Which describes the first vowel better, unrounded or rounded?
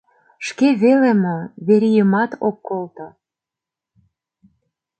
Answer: unrounded